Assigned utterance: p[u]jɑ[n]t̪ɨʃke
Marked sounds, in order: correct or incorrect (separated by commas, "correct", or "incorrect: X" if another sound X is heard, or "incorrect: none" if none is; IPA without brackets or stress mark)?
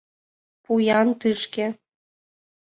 correct, correct